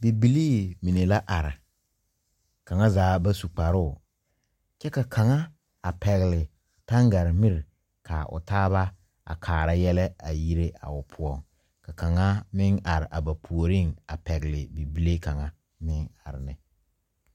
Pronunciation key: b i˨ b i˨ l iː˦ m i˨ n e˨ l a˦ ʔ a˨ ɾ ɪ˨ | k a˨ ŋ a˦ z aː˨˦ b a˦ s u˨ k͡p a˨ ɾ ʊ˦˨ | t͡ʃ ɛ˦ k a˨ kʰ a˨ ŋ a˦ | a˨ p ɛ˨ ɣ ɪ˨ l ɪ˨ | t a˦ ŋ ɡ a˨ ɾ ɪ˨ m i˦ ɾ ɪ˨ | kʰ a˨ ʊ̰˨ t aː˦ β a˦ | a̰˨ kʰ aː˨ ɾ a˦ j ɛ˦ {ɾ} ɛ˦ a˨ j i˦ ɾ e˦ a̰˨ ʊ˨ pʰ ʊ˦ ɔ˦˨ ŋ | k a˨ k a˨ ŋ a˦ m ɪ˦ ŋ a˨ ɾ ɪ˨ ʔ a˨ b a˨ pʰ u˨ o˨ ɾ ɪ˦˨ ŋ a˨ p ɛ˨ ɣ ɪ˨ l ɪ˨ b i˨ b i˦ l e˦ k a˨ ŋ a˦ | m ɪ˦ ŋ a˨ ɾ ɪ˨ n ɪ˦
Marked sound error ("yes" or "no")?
yes